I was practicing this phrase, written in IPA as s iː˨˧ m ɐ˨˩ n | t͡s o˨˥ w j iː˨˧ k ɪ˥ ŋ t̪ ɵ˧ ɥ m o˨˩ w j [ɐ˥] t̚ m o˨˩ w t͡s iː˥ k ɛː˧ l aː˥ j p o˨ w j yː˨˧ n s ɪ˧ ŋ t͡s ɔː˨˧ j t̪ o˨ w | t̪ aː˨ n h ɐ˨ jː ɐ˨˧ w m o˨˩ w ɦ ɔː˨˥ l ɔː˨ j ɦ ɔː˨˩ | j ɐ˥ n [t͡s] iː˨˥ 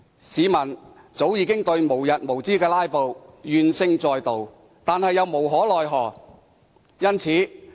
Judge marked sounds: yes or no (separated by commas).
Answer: no, no